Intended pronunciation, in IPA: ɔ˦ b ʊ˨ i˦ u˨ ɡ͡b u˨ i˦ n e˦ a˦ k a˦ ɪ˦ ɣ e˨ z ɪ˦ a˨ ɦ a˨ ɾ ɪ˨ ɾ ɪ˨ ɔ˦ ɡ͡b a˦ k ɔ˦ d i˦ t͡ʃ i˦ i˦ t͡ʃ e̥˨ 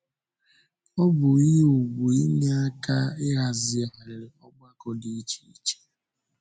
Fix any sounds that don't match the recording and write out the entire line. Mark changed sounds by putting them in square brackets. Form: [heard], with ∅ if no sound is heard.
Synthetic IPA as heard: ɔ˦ b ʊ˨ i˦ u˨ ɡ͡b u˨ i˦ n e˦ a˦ k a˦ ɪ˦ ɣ [a˨] z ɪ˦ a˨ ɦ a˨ ɾ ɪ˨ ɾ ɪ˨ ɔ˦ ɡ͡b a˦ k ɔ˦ d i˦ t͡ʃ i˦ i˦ t͡ʃ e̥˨

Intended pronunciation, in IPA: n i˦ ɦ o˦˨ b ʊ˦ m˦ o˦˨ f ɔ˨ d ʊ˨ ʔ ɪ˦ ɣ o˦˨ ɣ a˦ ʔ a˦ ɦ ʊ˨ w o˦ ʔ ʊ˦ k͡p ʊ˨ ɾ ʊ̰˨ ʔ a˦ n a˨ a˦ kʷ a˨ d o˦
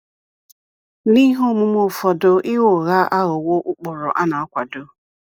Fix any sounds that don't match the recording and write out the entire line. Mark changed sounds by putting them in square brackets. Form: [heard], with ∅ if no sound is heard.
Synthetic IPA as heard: n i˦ ɦ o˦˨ [m] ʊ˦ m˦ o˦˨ f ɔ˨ d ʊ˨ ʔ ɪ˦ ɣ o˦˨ ɣ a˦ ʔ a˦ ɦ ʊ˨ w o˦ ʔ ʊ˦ k͡p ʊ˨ ɾ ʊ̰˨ ʔ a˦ n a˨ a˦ kʷ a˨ d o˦

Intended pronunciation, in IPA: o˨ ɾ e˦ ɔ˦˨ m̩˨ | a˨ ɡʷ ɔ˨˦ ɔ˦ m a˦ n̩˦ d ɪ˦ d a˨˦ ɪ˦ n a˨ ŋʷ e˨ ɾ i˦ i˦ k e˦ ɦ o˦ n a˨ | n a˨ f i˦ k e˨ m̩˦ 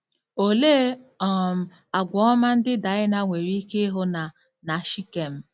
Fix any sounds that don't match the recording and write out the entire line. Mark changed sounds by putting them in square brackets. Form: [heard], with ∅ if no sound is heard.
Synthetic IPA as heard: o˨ [l] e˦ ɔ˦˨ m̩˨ | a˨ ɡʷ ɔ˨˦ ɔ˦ m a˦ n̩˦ d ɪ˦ d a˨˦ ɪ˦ n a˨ ŋʷ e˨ ɾ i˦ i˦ k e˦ ɦ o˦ n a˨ | n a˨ [ʃ] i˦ k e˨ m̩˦

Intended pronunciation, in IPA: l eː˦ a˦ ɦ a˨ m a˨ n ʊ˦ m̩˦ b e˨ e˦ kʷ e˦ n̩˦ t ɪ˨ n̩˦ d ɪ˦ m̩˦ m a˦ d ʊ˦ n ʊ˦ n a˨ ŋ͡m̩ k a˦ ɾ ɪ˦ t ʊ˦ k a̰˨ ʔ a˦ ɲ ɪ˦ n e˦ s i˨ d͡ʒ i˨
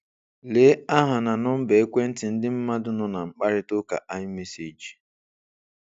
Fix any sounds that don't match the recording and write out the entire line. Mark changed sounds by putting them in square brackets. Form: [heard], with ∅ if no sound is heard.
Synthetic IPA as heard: l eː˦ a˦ ɦ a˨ [n] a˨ n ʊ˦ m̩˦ b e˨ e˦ kʷ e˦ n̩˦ t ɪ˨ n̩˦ d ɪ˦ m̩˦ m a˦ d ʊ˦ n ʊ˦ n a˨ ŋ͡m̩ [k͡p] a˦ ɾ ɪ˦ t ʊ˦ k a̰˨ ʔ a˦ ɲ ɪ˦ [m] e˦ s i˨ d͡ʒ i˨

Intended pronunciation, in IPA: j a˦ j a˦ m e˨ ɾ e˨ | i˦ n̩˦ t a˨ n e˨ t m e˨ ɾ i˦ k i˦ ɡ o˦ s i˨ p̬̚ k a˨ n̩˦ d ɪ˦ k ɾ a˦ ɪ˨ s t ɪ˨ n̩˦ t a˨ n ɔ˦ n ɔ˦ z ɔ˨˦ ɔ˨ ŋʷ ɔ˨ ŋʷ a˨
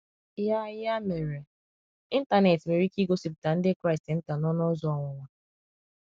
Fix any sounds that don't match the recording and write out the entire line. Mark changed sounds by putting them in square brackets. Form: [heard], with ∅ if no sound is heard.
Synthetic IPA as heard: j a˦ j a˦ m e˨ ɾ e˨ | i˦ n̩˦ t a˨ n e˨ t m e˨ ɾ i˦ k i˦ ɡ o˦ s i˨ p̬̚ [t] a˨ n̩˦ d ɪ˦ k ɾ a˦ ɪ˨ s t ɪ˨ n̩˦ t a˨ n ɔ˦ n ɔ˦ z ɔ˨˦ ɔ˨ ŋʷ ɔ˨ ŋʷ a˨

